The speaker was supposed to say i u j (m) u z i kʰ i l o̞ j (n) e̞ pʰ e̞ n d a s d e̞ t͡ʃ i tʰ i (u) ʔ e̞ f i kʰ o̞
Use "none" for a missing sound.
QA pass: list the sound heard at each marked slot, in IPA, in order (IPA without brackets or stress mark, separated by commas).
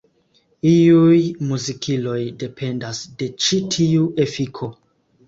m, d, u